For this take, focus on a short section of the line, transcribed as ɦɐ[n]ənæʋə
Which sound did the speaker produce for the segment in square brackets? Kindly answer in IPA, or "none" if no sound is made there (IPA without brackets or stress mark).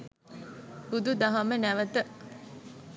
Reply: m